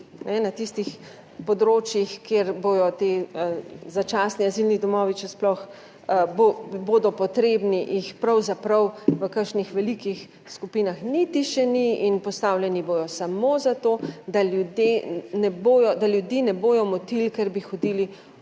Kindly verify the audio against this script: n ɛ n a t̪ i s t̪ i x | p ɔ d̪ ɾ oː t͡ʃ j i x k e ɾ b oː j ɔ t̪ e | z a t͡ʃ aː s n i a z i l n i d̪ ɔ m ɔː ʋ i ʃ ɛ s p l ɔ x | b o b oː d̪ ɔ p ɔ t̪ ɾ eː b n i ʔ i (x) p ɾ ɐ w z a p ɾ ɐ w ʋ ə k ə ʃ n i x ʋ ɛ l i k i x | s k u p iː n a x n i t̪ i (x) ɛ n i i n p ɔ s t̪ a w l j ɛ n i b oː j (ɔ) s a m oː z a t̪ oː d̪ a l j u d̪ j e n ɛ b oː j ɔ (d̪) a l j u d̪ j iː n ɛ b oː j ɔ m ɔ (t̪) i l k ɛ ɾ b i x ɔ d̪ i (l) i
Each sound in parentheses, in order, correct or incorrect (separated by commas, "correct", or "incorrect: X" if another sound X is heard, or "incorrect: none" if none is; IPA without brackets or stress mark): correct, incorrect: ʃ, correct, correct, correct, correct